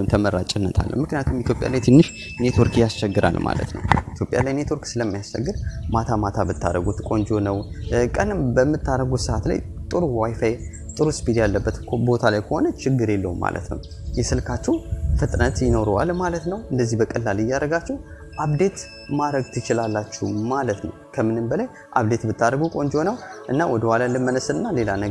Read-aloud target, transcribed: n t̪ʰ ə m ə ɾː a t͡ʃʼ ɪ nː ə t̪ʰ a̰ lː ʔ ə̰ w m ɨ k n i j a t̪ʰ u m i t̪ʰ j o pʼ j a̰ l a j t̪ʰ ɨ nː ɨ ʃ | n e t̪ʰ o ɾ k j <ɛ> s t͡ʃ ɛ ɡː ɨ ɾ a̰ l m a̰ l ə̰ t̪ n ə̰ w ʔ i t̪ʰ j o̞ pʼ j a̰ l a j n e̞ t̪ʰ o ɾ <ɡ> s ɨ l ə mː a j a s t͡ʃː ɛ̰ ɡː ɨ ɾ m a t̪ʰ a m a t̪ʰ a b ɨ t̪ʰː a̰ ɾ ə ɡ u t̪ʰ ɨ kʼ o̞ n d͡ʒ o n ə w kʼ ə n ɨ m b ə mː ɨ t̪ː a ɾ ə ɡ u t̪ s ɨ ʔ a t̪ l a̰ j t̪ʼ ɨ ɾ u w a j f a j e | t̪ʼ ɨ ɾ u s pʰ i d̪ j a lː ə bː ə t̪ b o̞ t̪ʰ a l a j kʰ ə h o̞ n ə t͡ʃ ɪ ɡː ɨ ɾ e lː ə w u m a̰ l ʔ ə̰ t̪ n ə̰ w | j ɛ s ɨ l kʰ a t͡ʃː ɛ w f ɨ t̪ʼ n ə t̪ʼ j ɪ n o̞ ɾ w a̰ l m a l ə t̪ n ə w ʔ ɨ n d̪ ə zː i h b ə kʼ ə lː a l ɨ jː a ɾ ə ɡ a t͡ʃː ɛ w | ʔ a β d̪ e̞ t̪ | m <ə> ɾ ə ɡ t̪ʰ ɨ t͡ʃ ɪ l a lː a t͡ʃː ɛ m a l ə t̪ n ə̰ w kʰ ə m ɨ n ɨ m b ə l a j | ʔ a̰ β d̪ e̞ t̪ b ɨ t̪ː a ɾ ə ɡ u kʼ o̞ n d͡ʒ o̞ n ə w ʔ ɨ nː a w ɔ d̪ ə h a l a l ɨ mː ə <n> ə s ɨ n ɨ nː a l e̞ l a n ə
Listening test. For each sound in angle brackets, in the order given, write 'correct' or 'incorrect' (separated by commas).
incorrect, incorrect, incorrect, correct